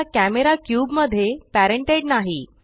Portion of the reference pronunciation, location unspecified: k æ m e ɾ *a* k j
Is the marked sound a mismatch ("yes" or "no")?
no